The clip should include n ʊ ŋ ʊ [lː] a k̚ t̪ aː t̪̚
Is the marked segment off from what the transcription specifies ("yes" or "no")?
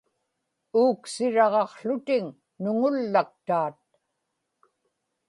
no